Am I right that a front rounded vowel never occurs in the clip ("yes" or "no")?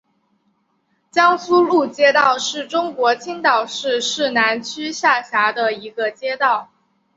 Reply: no